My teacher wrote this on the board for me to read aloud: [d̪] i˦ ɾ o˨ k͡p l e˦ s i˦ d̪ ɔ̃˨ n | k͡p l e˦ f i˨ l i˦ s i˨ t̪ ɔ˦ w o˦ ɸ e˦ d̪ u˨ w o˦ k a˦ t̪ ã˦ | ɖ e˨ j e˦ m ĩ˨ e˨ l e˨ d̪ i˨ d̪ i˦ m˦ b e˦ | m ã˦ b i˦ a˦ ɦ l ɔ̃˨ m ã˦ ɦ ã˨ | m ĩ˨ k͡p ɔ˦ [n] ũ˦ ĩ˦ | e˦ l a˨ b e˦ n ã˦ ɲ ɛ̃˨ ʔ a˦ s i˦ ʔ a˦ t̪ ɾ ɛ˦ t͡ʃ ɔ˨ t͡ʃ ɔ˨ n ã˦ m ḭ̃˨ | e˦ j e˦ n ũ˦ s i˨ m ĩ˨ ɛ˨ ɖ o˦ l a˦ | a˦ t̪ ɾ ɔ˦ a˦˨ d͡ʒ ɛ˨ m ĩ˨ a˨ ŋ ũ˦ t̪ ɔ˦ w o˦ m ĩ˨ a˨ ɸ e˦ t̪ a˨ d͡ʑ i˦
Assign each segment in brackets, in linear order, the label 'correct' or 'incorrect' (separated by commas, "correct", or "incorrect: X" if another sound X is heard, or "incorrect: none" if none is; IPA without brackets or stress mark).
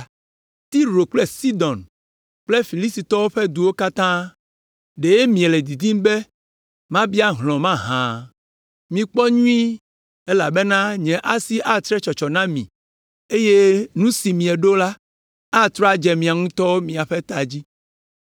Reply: incorrect: t̪, incorrect: ɲ